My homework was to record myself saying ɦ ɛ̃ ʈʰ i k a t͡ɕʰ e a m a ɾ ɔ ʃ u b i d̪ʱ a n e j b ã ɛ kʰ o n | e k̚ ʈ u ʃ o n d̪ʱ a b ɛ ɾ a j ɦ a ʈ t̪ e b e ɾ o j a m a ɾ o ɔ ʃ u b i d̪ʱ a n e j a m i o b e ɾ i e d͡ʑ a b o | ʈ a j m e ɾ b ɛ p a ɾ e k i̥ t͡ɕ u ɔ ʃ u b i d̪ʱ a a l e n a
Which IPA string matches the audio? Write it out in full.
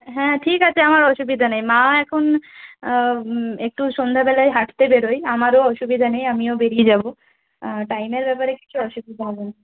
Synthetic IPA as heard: ɦ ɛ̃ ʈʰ i k a t͡ɕʰ e a m a ɾ ɔ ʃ u b i d̪ʱ a n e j m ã ɛ kʰ o n | e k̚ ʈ u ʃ o n d̪ʱ a b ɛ l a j ɦ a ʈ t̪ e b e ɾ o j a m a ɾ o ɔ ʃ u b i d̪ʱ a n e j a m i o b e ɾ i e d͡ʑ a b o | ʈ a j m e ɾ b ɛ p a ɾ e k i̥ t͡ɕʰ u ɔ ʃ u b i d̪ʱ a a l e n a